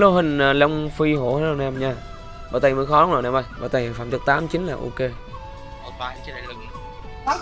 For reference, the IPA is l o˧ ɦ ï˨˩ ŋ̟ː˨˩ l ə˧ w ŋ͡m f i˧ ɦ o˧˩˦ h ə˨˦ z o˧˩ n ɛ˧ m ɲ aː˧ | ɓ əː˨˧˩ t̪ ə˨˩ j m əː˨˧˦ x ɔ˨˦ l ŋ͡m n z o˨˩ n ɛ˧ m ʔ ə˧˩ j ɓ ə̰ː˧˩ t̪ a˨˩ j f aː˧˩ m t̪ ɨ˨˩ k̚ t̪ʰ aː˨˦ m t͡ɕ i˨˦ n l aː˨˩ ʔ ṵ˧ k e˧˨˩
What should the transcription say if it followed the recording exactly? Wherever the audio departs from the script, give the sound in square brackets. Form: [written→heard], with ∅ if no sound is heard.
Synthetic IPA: l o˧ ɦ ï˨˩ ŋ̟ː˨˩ l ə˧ w ŋ͡m f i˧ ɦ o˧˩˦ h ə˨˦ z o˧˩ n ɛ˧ m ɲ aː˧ | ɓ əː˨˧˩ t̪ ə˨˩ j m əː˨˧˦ x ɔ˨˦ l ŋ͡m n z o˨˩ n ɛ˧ m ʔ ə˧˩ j ɓ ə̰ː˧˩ t̪ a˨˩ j f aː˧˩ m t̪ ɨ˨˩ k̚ [t̪ʰ→t̪] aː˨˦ m t͡ɕ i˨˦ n l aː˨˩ ʔ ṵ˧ k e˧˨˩